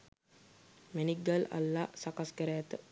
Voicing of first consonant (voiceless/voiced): voiced